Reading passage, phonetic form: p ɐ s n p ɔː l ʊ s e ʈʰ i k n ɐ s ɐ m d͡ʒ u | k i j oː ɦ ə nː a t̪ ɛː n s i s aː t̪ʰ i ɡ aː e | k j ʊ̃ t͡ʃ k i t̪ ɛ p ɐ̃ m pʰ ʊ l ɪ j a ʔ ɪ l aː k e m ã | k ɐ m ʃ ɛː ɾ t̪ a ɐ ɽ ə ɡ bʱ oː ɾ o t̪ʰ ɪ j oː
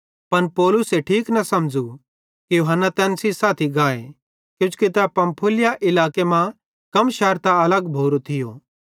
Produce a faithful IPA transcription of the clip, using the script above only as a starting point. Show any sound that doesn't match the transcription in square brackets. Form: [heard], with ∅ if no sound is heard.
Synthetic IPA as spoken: p ɐ [∅] n p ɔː l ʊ s e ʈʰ [iː] k n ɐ s ɐ m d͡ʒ u | k i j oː ɦ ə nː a t̪ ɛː n s i s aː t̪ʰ i ɡ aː e | k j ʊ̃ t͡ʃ k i t̪ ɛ p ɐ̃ m pʰ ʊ l ɪ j a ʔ ɪ l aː k e m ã | k ɐ m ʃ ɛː ɾ t̪ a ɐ [l] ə ɡ bʱ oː ɾ o t̪ʰ ɪ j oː